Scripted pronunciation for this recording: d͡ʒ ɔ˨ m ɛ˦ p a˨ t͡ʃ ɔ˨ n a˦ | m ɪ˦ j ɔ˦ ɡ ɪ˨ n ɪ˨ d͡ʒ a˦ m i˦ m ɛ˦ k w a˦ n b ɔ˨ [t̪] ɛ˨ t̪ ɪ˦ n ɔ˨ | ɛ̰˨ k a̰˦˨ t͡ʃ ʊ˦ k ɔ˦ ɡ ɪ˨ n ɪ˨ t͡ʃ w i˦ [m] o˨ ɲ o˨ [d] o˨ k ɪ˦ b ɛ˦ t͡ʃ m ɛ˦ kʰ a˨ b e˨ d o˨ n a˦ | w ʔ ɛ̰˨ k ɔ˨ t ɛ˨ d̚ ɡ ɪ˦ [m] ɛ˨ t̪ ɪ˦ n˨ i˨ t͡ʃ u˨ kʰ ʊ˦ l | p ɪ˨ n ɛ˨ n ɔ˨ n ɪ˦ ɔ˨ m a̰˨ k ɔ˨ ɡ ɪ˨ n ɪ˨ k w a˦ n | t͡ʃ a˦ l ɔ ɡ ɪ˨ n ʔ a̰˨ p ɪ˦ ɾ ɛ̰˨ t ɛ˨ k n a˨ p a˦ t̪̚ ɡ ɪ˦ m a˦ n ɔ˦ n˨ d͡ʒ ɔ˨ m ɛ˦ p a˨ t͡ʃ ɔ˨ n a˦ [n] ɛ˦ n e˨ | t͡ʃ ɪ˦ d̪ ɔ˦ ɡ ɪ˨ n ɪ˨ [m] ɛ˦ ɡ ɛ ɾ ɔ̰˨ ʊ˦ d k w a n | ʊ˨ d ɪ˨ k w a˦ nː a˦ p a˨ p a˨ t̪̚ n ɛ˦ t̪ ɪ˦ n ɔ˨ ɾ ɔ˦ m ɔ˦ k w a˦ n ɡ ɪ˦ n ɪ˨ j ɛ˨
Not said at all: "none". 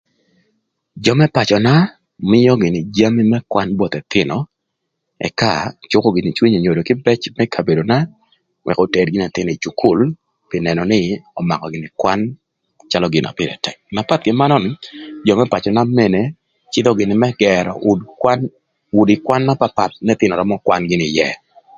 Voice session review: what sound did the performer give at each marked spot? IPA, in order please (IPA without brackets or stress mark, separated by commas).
t̪, ɲ, d, n, m, m